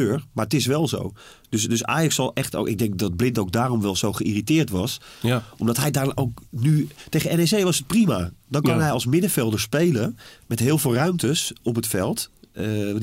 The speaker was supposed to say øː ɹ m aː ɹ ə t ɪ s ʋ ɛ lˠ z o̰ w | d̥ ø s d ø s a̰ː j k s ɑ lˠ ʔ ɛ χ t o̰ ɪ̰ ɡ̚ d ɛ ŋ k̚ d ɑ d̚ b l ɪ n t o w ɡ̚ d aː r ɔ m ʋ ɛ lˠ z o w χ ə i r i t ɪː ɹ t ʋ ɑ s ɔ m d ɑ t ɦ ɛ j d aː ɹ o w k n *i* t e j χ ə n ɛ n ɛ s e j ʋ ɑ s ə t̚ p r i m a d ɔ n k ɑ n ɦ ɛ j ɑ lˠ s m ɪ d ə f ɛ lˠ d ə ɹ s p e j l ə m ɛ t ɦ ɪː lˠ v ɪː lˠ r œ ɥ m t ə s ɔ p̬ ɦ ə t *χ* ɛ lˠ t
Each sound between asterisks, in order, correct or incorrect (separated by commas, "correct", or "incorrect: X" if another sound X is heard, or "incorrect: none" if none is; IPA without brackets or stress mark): incorrect: y, incorrect: f